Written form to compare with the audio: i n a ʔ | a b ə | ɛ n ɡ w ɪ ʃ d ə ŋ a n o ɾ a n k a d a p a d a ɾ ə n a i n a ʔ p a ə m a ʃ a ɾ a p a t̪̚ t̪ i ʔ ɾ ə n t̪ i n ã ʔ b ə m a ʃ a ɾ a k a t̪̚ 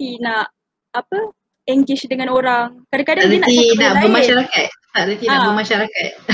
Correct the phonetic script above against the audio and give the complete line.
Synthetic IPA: i n a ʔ | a p ə | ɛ ŋ ɡ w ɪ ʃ d ə ŋ a n o ɾ a ŋ k a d a k a d a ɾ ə n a i n a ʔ b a ə m a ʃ a ɾ a k a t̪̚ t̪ a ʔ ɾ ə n t̪ i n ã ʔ b ə m a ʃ a ɾ a k a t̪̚